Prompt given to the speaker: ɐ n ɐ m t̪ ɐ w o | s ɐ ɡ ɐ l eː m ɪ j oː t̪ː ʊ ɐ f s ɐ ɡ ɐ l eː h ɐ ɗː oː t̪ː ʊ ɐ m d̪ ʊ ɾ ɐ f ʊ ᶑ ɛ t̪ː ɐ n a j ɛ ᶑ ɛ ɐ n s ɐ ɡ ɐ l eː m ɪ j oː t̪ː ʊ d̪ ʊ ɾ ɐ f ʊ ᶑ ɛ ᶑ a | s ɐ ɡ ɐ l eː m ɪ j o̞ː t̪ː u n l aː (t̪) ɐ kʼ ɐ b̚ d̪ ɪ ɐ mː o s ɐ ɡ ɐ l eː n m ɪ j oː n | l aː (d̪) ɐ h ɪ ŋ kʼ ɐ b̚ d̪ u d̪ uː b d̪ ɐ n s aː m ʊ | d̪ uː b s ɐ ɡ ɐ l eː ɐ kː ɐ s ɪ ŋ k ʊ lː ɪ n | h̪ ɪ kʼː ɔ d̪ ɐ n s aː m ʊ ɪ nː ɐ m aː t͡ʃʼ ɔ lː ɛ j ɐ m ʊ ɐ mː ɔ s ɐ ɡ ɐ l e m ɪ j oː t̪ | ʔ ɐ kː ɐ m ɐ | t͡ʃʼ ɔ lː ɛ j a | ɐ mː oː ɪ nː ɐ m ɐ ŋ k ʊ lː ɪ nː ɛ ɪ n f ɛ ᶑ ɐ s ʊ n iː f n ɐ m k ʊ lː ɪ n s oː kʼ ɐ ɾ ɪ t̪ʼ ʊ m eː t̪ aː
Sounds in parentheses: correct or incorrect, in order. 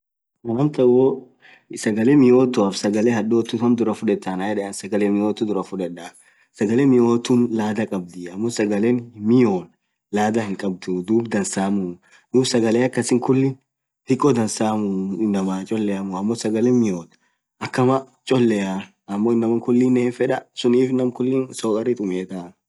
incorrect, correct

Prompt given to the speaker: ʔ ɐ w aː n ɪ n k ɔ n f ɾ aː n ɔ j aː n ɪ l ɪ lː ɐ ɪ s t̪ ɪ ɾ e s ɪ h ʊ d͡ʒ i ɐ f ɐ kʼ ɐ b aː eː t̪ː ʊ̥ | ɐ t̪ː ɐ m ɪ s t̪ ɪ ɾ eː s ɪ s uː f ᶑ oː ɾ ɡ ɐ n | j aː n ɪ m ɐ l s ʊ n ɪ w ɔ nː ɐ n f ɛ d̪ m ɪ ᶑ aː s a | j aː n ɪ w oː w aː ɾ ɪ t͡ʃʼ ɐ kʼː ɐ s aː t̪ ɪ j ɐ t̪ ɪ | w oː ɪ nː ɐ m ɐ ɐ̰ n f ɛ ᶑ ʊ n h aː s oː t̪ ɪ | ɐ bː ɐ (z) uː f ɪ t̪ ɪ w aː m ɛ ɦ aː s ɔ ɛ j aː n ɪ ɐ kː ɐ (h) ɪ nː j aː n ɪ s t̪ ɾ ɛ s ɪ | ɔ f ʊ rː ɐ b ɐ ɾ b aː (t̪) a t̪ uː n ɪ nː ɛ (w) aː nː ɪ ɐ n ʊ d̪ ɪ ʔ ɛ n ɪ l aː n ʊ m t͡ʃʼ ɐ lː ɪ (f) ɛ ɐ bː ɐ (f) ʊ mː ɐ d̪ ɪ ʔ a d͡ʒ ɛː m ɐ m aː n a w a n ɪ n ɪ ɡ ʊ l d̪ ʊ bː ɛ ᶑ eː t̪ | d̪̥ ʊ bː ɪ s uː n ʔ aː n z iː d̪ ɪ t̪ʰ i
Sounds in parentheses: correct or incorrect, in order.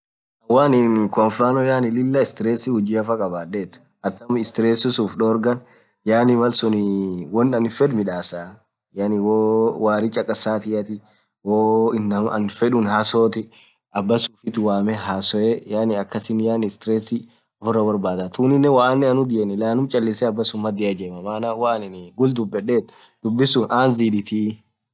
incorrect, incorrect, incorrect, correct, incorrect, incorrect

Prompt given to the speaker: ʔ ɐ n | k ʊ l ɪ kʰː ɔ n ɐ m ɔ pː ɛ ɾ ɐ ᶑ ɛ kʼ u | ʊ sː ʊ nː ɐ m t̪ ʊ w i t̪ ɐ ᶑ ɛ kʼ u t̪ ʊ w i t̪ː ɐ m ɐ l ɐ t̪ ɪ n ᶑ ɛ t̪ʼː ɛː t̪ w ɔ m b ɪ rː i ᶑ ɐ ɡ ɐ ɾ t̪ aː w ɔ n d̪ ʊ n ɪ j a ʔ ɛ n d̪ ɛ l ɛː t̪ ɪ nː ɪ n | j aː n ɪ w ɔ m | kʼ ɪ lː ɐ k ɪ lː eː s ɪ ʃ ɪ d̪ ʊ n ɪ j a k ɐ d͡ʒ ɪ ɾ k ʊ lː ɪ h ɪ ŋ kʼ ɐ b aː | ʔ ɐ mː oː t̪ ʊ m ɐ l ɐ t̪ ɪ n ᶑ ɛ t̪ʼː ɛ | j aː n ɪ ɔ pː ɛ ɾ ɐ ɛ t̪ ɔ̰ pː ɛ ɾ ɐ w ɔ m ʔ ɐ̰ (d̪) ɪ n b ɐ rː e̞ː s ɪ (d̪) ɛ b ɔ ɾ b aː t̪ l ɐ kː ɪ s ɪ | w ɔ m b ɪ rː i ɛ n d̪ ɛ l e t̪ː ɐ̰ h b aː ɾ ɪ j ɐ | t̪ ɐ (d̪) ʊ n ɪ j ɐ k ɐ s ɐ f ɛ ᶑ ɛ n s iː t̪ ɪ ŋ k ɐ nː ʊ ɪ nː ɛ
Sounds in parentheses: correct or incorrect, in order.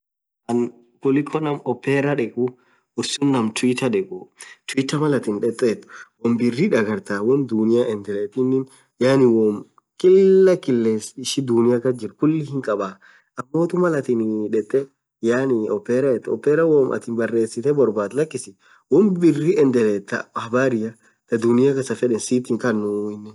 incorrect, incorrect, correct

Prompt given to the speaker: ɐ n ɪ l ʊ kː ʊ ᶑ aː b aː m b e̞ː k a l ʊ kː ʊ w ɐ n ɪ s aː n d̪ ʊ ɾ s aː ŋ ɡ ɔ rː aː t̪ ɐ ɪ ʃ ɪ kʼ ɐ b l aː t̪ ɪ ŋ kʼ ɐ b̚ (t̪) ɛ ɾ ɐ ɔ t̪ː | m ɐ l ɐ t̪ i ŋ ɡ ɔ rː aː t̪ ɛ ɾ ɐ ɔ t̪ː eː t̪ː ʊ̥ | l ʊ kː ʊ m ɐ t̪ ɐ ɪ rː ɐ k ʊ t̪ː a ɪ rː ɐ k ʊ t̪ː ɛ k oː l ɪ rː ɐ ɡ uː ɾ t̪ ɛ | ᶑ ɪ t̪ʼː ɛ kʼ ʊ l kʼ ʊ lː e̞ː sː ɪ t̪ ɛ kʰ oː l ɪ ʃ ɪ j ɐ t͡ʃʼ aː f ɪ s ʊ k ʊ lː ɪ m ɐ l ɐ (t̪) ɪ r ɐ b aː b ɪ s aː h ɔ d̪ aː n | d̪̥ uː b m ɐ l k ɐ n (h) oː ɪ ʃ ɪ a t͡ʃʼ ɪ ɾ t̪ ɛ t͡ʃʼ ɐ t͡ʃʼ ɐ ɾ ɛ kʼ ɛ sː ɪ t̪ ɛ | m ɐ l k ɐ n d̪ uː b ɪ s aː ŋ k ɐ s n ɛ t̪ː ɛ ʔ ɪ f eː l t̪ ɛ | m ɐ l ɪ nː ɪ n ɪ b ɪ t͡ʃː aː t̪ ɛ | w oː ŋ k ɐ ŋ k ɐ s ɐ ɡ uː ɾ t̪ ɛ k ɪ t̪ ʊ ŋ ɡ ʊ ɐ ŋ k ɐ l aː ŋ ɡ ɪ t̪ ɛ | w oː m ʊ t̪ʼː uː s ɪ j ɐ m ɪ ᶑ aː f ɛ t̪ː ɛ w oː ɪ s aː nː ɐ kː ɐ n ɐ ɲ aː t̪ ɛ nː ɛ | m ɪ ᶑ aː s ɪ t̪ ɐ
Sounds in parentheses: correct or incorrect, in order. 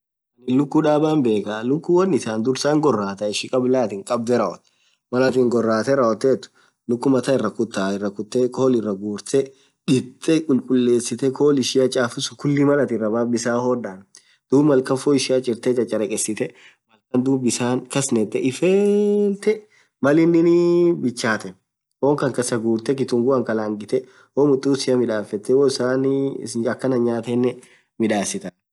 incorrect, correct, incorrect

